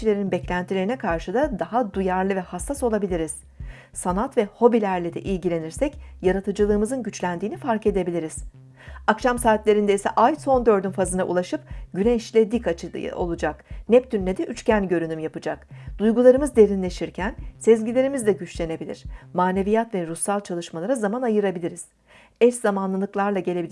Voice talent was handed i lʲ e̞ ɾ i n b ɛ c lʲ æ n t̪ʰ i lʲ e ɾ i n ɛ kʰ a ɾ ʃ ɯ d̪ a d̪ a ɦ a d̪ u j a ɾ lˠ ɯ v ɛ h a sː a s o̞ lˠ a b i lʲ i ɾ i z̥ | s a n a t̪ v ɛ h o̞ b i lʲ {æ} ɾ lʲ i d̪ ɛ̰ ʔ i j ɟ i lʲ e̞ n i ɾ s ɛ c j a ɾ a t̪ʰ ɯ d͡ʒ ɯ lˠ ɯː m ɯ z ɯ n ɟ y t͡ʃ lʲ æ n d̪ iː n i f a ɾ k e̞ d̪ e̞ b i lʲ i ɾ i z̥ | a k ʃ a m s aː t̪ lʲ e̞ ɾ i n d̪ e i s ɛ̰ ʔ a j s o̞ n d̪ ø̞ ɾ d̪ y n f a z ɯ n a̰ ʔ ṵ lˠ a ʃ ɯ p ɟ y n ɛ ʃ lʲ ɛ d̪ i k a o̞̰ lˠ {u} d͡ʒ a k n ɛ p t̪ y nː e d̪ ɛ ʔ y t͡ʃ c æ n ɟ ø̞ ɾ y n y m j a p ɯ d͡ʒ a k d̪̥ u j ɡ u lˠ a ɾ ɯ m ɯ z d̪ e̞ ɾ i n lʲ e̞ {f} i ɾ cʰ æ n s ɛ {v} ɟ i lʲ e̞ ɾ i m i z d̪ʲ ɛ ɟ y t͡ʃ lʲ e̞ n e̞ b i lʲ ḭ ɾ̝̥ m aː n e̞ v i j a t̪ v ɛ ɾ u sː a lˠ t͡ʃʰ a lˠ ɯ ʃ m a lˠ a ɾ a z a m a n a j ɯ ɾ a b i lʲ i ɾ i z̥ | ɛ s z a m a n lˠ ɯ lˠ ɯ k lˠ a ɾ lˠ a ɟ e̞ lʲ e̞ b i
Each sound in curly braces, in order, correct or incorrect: correct, correct, incorrect, incorrect

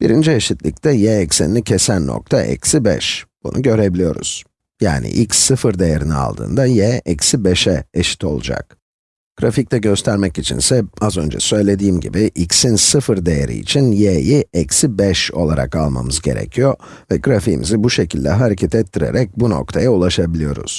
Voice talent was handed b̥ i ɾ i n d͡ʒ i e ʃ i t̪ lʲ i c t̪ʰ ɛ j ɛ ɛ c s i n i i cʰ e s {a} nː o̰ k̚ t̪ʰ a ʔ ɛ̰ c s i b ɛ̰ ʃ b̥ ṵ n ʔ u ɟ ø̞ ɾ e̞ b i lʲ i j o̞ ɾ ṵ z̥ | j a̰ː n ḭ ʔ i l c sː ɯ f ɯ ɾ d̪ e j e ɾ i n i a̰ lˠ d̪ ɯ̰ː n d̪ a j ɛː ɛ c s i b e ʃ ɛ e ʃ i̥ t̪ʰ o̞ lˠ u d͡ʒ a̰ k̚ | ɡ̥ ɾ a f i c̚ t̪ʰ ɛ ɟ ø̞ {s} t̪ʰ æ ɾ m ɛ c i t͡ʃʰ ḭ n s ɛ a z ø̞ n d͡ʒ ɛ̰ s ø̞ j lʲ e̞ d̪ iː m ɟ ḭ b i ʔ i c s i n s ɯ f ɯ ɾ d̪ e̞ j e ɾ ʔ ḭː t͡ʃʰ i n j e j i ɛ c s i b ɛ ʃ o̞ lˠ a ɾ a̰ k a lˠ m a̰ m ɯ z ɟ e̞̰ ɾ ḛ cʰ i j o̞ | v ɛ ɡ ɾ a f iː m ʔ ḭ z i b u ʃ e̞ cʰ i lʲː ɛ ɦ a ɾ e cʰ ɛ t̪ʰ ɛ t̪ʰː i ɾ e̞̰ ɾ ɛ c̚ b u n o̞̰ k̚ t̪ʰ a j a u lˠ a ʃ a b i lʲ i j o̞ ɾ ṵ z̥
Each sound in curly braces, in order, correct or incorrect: incorrect, correct

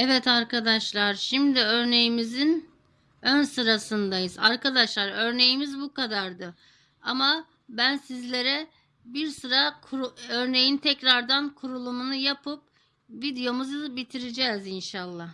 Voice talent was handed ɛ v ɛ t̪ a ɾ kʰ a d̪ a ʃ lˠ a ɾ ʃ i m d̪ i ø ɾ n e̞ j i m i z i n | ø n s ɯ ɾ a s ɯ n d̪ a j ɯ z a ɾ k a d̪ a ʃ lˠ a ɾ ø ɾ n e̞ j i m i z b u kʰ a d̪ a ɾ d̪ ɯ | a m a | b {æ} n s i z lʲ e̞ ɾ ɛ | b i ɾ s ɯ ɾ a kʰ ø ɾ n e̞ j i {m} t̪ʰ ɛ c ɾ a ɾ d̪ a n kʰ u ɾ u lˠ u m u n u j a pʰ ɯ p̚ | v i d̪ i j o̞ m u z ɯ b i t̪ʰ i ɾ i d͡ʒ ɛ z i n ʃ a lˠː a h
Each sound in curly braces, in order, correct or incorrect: correct, incorrect

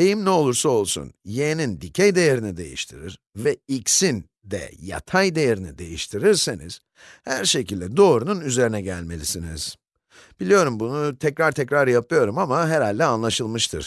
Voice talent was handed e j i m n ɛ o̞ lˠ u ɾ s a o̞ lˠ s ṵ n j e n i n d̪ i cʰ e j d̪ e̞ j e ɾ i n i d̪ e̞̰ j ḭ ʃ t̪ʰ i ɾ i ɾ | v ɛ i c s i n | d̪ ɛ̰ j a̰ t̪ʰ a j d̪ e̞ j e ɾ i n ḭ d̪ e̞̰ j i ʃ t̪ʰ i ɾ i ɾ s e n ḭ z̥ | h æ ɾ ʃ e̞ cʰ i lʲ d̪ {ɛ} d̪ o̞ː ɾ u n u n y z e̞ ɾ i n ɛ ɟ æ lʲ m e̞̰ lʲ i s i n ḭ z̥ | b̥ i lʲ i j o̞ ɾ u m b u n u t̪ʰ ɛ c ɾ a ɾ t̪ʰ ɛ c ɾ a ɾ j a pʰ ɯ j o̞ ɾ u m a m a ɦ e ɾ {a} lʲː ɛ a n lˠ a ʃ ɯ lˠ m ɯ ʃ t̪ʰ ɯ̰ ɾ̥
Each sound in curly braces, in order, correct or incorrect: correct, correct

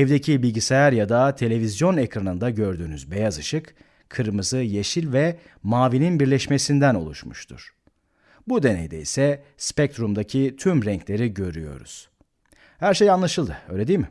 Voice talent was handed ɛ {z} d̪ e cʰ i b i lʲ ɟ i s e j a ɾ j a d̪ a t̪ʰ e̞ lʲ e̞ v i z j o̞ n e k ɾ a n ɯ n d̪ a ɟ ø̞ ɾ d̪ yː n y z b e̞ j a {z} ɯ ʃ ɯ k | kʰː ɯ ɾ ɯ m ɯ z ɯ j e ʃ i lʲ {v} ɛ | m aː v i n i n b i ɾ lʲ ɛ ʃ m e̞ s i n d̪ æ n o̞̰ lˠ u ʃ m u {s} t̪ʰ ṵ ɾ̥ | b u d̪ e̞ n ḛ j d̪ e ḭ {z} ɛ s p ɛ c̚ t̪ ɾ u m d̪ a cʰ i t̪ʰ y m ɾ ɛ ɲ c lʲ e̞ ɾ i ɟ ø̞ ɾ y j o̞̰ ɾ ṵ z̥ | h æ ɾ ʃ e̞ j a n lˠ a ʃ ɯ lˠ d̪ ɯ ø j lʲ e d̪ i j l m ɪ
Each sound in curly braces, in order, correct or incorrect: incorrect, correct, correct, incorrect, incorrect

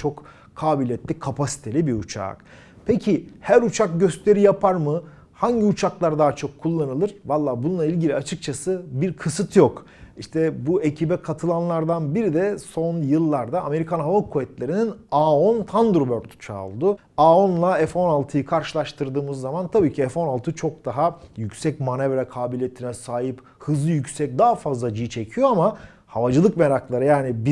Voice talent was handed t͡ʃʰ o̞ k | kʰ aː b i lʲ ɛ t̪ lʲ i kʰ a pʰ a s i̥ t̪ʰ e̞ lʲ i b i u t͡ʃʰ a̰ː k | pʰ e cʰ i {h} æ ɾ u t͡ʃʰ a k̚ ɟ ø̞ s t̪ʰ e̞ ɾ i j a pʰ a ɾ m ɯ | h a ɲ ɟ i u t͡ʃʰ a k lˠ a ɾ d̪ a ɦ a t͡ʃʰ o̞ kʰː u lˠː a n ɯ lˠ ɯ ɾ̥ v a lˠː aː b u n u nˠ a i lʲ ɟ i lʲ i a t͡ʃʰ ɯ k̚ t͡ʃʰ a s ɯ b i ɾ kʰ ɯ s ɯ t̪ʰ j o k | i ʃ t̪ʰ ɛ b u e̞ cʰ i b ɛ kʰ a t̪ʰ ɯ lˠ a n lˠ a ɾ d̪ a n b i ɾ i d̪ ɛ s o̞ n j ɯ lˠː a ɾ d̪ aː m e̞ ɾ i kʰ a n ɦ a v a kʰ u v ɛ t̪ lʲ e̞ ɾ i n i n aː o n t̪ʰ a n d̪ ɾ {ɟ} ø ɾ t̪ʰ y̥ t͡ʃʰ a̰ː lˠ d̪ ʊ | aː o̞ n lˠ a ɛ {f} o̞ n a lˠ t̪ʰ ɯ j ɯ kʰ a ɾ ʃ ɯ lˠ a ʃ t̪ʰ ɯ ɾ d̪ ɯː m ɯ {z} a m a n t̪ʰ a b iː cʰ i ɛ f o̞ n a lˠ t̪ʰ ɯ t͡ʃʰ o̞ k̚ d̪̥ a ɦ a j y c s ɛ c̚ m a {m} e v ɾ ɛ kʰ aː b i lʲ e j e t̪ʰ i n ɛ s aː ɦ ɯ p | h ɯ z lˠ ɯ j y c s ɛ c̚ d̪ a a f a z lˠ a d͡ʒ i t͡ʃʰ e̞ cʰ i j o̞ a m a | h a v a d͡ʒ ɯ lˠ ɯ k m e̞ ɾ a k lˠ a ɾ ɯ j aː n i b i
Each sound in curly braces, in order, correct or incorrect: correct, incorrect, correct, incorrect, incorrect

